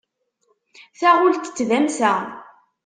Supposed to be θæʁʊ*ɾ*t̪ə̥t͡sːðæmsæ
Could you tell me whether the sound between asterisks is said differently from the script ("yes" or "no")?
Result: yes